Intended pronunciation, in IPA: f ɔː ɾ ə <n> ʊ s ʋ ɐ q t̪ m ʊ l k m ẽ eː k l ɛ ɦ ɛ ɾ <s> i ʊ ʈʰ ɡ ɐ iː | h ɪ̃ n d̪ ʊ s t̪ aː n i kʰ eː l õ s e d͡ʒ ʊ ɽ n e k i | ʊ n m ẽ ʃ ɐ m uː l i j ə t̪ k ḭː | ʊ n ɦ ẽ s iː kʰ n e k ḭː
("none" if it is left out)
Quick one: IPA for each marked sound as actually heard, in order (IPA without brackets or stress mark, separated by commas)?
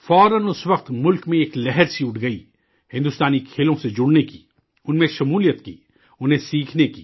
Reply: n, s